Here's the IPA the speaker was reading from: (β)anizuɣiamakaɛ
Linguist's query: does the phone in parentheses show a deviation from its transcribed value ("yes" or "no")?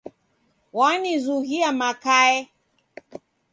yes